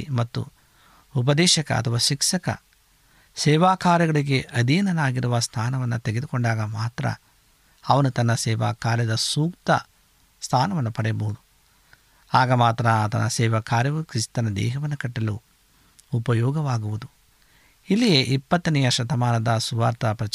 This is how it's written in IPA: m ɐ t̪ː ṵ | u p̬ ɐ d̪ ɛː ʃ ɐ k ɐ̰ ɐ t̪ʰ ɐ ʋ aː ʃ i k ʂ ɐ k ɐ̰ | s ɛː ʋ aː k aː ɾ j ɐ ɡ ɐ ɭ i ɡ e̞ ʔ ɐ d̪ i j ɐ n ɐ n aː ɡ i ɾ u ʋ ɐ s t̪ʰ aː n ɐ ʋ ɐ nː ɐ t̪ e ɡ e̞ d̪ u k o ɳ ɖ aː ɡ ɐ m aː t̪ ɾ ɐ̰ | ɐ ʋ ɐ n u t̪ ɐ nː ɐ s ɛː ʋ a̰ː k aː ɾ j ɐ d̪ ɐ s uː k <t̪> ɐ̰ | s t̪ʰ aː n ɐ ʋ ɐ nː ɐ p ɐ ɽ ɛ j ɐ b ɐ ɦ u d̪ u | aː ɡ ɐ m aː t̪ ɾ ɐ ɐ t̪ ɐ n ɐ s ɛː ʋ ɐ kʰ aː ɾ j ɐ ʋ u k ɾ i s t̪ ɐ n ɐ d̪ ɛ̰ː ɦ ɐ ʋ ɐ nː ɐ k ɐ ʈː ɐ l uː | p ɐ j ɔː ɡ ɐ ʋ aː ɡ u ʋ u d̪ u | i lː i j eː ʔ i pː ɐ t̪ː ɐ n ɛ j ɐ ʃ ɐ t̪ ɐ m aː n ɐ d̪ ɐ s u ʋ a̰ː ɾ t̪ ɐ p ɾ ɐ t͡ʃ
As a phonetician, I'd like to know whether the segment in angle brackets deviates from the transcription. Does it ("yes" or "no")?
no